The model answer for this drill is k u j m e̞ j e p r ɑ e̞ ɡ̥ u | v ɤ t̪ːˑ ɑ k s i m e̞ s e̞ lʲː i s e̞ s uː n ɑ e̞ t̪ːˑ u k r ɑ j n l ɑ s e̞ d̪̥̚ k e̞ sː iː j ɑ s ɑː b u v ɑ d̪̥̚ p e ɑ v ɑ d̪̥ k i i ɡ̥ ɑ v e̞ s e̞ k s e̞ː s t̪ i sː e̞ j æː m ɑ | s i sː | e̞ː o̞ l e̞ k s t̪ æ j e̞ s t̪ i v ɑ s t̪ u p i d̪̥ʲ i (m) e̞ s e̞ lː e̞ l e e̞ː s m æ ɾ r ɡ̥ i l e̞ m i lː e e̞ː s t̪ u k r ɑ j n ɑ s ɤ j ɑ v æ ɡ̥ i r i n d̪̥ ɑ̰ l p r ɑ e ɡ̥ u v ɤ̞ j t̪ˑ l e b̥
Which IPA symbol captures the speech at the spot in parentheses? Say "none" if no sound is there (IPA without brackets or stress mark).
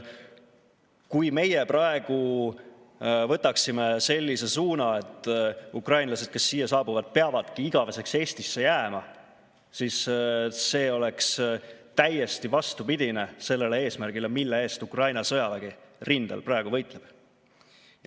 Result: n